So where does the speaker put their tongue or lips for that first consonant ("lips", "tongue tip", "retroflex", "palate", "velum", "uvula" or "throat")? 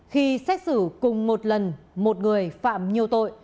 velum